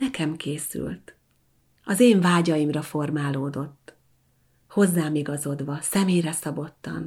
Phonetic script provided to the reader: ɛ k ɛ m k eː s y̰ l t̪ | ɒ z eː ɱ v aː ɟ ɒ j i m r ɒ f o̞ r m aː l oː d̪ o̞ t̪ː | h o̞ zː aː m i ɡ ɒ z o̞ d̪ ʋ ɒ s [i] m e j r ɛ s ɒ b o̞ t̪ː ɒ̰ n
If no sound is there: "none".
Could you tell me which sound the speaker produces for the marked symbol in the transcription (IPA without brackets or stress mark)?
ɛ